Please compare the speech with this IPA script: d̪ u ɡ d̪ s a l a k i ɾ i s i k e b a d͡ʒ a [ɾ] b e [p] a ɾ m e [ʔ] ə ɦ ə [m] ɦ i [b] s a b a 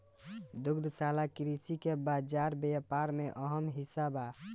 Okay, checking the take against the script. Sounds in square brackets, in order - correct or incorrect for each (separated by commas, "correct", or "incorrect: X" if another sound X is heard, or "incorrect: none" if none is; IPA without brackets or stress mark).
correct, correct, correct, correct, incorrect: none